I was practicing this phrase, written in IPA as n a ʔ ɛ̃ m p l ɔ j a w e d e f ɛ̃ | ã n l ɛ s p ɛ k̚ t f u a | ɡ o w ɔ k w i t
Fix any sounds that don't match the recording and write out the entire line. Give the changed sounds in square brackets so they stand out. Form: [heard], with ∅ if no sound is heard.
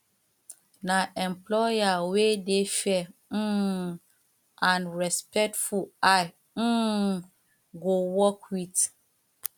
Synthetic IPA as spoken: n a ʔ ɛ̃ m p l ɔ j a w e d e f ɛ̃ | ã n [ɹ] ɛ s p ɛ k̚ t f u a | ɡ o w ɔ k w i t